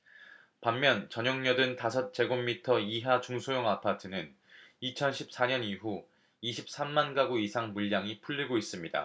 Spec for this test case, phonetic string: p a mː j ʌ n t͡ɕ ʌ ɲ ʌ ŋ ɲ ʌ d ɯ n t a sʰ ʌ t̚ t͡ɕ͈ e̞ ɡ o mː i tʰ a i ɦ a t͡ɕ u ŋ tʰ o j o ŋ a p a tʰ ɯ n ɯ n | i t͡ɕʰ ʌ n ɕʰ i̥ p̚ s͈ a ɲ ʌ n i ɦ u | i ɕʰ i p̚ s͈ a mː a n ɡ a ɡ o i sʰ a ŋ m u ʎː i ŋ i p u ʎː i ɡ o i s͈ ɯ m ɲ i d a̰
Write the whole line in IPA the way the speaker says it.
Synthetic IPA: p a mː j ʌ n t͡ɕ ʌ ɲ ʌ ŋ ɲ ʌ d ɯ n t a sʰ ʌ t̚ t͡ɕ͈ e̞ ɡ o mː i tʰ ʌ i ɦ a t͡ɕ u ŋ sʰ o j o ŋ a pʰ a tʰ ɯ n ɯ n | i t͡ɕʰ ʌ n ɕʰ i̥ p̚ s͈ a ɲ ʌ n i ɦ u | i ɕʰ i p̚ s͈ a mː a n ɡ a ɡ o i sʰ a ŋ m u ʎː a ŋ i pʰ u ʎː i ɡ o i s͈ ɯ m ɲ i d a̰